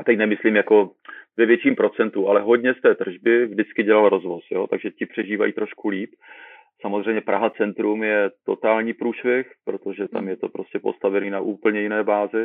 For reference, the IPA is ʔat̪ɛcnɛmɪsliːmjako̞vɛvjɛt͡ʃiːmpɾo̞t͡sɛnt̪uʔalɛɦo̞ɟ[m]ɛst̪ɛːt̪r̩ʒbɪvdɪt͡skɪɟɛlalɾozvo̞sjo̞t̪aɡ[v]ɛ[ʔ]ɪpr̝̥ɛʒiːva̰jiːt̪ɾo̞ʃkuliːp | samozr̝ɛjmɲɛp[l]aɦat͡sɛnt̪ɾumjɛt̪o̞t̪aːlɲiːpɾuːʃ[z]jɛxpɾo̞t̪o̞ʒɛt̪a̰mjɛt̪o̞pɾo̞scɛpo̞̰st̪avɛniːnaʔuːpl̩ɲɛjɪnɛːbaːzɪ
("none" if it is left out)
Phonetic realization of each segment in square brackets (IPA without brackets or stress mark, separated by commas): ɲ, ʒ, c, ɾ, v